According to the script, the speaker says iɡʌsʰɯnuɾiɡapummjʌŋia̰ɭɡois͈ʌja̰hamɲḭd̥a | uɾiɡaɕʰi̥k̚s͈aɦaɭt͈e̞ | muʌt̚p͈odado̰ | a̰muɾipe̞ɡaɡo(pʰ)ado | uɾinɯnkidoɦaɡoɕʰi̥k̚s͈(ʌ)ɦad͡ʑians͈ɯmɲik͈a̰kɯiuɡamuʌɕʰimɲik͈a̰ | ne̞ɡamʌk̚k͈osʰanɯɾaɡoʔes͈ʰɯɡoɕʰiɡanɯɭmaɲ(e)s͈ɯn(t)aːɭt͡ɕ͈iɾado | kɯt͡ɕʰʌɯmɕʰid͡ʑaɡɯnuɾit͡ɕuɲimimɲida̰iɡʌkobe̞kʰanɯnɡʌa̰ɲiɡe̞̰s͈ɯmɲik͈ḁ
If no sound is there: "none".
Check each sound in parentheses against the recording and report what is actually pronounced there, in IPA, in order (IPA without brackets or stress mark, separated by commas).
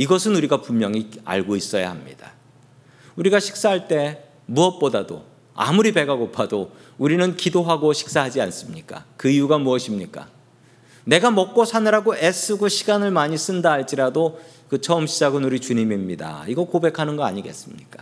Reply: pʰ, a, i, d